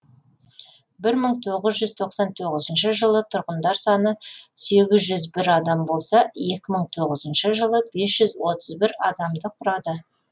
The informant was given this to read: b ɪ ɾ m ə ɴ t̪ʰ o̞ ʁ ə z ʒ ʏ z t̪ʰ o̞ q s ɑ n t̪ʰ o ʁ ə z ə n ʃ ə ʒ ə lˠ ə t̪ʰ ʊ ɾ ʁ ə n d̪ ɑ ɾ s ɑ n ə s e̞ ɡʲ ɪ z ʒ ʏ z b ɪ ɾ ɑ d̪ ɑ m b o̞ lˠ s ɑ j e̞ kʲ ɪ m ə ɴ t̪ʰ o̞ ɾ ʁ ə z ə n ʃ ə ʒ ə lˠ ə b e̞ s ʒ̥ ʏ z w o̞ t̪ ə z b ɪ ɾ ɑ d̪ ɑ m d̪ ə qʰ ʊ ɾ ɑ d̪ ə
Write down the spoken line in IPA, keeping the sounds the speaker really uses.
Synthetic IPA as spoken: b ɪ ɾ m ə ɴ t̪ʰ o̞ ʁ ə z ʒ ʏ z t̪ʰ o̞ q s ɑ n t̪ʰ o ʁ ə z ə n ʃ ə ʒ ə lˠ ə t̪ʰ ʊ ɾ ʁ ə n d̪ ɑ ɾ s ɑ n ə s e̞ ɡʲ ɪ z ʒ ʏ z b ɪ ɾ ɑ d̪ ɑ m b o̞ lˠ s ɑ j e̞ kʲ ɪ m ə ɴ t̪ʰ o̞ ʁ ə z ə n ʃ ə ʒ ə lˠ ə b e̞ s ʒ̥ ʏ z w o̞ t̪ ə z b ɪ ɾ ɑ d̪ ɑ m d̪ ə qʰ ʊ ɾ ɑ d̪ ə